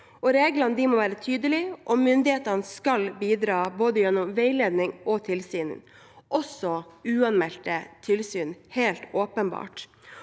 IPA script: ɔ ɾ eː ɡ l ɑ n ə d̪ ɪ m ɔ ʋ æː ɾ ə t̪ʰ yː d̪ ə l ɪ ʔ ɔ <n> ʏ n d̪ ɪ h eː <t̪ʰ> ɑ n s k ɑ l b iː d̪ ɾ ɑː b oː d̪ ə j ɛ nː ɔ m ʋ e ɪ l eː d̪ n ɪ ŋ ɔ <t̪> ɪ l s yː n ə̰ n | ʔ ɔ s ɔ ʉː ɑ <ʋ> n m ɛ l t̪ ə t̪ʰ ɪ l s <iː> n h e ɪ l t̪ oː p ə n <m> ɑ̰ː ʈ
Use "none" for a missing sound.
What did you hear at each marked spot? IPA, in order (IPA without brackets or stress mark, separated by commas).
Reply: m, t̪, t̪ʰ, none, yː, b